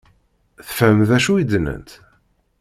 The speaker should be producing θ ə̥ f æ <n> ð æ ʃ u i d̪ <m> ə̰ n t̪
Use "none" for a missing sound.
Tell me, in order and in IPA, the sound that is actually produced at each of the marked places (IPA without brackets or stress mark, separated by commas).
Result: m, n